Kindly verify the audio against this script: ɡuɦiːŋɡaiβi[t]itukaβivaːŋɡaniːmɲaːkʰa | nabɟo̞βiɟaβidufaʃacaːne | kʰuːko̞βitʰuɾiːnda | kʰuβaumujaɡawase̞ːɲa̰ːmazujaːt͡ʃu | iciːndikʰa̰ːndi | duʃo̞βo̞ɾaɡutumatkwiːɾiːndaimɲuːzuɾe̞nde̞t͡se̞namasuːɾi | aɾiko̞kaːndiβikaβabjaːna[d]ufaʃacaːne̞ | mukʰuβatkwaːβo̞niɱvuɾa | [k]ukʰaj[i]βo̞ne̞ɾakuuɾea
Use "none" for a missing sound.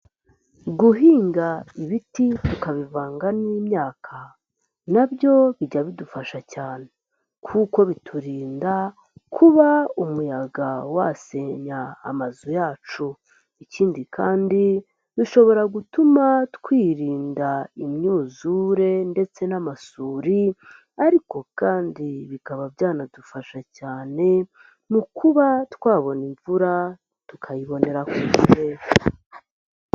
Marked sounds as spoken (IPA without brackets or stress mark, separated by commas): t, d, t, i